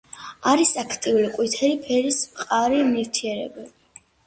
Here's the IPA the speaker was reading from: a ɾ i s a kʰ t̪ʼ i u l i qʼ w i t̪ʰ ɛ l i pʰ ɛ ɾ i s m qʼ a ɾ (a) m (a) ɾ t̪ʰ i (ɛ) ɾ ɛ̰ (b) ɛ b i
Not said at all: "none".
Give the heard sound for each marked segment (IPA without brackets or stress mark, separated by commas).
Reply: i, i, ɛ, b